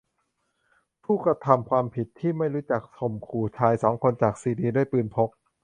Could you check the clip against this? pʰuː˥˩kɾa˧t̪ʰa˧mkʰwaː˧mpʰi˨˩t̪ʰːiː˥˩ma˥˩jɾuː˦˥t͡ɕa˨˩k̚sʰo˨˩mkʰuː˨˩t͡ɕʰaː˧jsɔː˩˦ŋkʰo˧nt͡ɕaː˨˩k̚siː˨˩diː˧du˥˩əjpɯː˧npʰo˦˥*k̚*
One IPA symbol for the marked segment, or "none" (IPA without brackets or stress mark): k̚